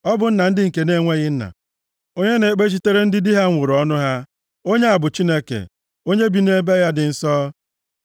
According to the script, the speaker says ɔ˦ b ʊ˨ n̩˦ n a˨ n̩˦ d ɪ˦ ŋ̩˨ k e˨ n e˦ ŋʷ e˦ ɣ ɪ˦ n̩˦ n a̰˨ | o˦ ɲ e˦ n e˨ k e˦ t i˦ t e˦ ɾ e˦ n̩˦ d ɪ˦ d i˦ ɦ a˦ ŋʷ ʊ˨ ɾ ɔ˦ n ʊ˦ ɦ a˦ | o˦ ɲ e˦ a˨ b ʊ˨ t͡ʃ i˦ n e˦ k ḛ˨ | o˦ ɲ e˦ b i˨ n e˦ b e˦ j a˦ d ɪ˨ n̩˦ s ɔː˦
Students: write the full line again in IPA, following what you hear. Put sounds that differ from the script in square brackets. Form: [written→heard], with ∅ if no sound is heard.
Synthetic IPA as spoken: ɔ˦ b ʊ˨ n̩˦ n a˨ n̩˦ d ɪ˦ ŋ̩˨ k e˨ n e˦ ŋʷ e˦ ɣ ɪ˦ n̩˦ n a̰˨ | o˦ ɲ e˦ n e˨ [k→k͡p] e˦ [t→t͡ʃ] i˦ t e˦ ɾ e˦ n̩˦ d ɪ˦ d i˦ ɦ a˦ ŋʷ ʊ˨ ɾ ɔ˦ n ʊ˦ ɦ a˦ | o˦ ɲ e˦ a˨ b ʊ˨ t͡ʃ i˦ n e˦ k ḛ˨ | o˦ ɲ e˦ b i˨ n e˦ b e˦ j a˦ d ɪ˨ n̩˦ s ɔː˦